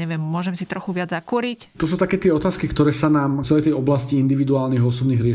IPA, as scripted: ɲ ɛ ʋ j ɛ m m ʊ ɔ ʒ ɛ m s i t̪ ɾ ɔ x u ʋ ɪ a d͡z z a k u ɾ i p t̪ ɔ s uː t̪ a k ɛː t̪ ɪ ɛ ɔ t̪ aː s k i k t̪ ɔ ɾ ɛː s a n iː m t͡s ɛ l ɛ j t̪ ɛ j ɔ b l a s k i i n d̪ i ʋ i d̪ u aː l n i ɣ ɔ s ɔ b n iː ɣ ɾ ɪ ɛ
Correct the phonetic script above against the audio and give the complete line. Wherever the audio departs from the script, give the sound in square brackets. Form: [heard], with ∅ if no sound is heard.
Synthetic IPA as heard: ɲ ɛ ʋ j ɛ m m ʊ ɔ ʒ ɛ m s i t̪ ɾ ɔ x u ʋ ɪ a d͡z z a k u ɾ i [c] t̪ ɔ s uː t̪ a k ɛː t̪ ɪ ɛ ɔ t̪ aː s k i k t̪ ɔ ɾ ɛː s a n [aː] m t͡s ɛ l ɛ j t̪ ɛ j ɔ b l a s [c] i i n d̪ i ʋ i d̪ u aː l n i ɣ ɔ s ɔ b n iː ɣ ɾ ɪ ɛ